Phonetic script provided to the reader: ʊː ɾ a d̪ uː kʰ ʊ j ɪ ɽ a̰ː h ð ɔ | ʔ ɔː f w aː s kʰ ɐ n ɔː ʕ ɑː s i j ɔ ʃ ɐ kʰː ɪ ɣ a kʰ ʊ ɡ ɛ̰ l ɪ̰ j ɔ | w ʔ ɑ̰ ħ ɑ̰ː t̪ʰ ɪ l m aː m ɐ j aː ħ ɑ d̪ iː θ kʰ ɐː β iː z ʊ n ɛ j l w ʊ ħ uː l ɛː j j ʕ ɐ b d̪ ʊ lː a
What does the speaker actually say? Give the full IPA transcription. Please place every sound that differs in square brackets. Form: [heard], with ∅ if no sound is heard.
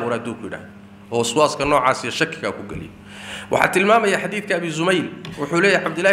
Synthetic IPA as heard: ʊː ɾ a d̪ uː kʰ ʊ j ɪ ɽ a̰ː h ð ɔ | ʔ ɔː [s] w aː s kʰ ɐ n ɔː ʕ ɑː s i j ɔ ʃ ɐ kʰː ɪ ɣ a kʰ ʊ ɡ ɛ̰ l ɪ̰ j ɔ | w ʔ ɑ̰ ħ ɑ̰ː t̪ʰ ɪ l m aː m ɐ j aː ħ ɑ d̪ iː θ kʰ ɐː β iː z ʊ [m] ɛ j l w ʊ ħ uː l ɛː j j ʕ [ɑ] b d̪ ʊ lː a

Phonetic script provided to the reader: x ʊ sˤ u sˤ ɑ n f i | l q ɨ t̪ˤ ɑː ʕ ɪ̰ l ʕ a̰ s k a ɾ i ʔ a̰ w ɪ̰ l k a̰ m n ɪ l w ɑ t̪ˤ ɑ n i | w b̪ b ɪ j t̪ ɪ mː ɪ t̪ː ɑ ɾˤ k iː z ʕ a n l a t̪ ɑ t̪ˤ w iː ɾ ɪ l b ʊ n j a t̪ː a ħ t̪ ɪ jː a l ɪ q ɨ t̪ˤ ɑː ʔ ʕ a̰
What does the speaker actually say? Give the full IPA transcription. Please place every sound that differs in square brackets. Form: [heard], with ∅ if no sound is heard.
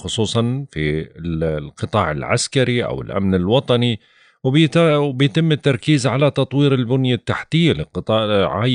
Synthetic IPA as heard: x ʊ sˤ [uː] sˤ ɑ n f i | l q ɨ t̪ˤ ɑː ʕ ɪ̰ l ʕ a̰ s k a ɾ i ʔ a̰ w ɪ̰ l [ʔ] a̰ m n ɪ l w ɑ t̪ˤ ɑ n i | w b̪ b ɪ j t̪ ɪ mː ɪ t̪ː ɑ ɾˤ k iː z ʕ a [∅] l a t̪ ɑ t̪ˤ w iː ɾ ɪ l b ʊ n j a t̪ː a ħ t̪ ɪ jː a l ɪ q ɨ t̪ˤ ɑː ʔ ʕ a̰

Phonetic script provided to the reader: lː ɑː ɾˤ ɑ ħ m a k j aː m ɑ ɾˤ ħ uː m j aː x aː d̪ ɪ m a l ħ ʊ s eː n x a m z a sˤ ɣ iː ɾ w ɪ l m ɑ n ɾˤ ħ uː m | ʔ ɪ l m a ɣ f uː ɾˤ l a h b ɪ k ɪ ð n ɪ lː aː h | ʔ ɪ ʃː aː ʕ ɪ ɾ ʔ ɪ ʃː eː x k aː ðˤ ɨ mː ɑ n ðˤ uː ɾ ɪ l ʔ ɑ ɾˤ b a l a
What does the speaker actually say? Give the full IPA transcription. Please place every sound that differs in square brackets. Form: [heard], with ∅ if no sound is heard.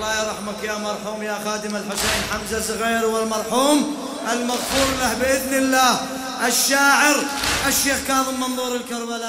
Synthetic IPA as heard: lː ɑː ɾˤ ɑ ħ m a k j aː m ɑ ɾˤ ħ uː m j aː x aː d̪ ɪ m a l ħ ʊ s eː n [ħ] a m z a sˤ ɣ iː ɾ w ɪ l m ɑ [∅] ɾˤ ħ uː m | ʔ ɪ l m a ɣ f uː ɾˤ l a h b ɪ [ʔ] ɪ ð n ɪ lː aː h | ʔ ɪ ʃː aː ʕ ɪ ɾ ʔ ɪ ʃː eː x k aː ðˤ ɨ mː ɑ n ðˤ uː ɾ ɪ l [k] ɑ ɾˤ b a l a

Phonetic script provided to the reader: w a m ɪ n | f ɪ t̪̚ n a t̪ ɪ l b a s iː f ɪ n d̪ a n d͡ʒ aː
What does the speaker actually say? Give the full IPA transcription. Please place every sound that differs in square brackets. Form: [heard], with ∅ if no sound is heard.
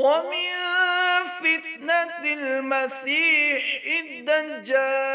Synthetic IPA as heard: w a m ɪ n | f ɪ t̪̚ n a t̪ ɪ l [m] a s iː [ħ] ɪ n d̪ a n d͡ʒ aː

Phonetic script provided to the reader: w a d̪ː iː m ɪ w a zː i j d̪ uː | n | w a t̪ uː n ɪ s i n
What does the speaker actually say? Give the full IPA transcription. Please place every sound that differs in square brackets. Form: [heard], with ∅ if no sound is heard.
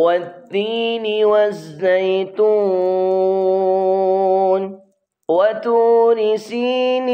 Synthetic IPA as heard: w a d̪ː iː [n] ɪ w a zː [a] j [t̪] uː | n | w a t̪ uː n ɪ s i n

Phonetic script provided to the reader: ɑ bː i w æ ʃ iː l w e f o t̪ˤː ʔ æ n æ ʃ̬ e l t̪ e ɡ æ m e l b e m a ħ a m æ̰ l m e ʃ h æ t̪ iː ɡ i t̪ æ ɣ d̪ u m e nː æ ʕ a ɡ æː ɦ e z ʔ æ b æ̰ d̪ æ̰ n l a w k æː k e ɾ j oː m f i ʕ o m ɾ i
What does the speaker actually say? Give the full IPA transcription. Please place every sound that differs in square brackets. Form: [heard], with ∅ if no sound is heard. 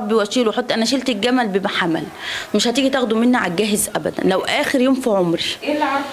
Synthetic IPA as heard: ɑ bː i w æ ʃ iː l w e [ħ] o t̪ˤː ʔ æ n æ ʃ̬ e l t̪ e ɡ æ m [æ] l b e m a ħ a m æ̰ l m e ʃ h æ t̪ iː ɡ i t̪ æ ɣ d̪ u m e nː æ ʕ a ɡ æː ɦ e z ʔ æ b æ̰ d̪ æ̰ n l [æ] w [ʔ] æː [x] e ɾ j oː m f i ʕ o m ɾ i

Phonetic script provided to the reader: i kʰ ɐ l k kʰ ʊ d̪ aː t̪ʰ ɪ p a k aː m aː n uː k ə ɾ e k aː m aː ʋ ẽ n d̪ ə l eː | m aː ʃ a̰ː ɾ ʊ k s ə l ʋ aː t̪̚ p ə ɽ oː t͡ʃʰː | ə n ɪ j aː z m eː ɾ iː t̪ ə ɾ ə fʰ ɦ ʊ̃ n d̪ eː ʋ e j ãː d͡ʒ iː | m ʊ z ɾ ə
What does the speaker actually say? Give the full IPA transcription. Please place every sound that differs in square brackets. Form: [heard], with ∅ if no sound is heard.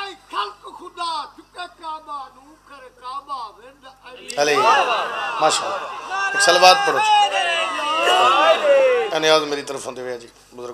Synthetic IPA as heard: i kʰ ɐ l k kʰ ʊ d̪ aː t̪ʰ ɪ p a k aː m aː n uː k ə ɾ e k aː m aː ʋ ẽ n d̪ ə l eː | m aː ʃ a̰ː [l] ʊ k s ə l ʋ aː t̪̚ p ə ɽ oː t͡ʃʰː | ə n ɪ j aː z m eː ɾ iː t̪ ə ɾ ə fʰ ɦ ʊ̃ n d̪ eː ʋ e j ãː d͡ʒ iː | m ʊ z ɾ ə

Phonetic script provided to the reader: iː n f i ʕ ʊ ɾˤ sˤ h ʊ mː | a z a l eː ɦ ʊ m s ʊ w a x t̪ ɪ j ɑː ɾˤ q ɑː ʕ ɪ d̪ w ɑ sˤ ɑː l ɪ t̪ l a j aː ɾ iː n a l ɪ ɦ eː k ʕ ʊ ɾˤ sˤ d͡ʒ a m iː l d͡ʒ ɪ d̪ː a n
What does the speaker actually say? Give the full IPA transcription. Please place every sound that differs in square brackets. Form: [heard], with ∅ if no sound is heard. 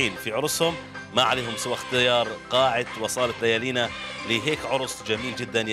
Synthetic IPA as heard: iː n f i ʕ ʊ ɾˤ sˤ h ʊ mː | a [ʕ] a l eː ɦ ʊ m s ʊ w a x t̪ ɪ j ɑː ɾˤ q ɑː ʕ ɪ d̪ w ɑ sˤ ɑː l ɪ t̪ l a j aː [l] iː n a l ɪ ɦ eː k ʕ ʊ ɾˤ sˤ d͡ʒ a m iː l d͡ʒ ɪ d̪ː a n

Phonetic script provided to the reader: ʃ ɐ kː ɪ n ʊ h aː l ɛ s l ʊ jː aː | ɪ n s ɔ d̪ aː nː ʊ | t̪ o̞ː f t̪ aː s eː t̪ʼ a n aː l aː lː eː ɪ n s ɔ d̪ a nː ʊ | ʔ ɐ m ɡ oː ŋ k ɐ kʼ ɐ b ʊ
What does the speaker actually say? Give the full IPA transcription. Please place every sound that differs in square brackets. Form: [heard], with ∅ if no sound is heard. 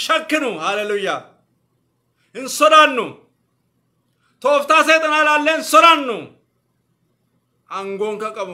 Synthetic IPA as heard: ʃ ɐ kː ɪ n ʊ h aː l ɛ [∅] l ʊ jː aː | ɪ n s ɔ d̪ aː nː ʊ | t̪ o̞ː f t̪ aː s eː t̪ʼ [ɐ] n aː l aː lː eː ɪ n s ɔ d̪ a nː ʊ | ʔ ɐ [ŋ] ɡ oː ŋ k ɐ kʼ ɐ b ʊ

